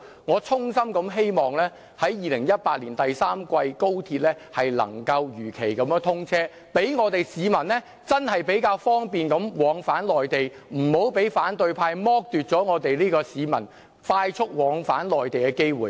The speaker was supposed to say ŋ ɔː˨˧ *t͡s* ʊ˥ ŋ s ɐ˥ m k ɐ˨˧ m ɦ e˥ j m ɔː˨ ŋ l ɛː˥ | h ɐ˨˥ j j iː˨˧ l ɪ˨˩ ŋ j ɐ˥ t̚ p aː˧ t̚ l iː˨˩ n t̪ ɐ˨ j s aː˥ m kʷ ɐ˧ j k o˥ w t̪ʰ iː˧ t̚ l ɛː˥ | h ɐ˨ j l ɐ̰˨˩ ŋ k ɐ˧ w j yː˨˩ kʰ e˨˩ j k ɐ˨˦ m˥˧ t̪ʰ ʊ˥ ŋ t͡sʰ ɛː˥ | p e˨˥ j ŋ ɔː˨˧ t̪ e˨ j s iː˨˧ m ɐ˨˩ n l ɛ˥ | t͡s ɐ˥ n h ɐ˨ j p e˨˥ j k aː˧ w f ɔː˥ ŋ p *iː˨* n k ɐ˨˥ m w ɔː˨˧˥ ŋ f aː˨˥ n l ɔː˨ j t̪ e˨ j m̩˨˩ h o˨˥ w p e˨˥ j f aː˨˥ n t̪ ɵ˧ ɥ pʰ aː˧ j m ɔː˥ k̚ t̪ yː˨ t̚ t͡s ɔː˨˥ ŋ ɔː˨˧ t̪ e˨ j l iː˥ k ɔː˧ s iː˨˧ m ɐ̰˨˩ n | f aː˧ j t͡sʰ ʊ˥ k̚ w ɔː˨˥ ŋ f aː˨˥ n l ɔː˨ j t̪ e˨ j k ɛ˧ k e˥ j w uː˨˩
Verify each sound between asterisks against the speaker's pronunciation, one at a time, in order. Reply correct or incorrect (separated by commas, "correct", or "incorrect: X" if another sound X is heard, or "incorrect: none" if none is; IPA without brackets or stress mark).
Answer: incorrect: t͡sʰ, correct